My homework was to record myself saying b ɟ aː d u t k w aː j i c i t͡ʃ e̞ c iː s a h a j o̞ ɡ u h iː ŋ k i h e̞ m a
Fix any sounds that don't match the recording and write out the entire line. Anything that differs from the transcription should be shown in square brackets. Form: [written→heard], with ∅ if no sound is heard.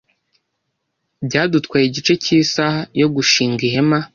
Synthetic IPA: b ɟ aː d u t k w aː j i [c→ɟ] i t͡ʃ e̞ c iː s a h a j o̞ ɡ u [h→ʃ] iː ŋ [k→ɡ] i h e̞ m a